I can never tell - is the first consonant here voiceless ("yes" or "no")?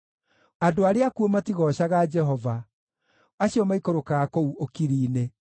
no